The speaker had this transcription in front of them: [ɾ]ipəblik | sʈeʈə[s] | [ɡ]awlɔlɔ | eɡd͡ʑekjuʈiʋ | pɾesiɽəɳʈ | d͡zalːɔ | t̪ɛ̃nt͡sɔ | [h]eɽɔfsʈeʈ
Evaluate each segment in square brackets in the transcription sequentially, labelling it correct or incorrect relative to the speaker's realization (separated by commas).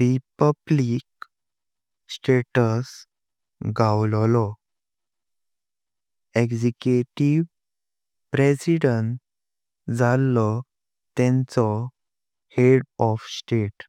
correct, correct, correct, correct